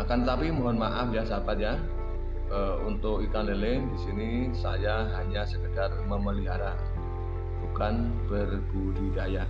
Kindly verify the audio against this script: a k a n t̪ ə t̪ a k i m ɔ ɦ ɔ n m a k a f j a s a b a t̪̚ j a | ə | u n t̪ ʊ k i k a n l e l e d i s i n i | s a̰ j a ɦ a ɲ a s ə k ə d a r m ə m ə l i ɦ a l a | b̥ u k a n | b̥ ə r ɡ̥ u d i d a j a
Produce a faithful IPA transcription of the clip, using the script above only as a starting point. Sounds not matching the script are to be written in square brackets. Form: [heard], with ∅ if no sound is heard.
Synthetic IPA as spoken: a k a n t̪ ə t̪ a [p] i m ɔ ɦ ɔ n m a [ʔ] a f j a s a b a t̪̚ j a | ə | u n t̪ ʊ k i k a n l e l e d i s i n i | s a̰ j a ɦ a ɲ a s ə k ə d a r m ə m ə l i ɦ a [ɾ] a | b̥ u k a n | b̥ ə r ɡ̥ u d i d a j a